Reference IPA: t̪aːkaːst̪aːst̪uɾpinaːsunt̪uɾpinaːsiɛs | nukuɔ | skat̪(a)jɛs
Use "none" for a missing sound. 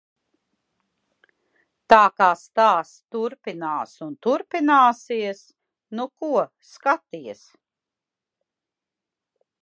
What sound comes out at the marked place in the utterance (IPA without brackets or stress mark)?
i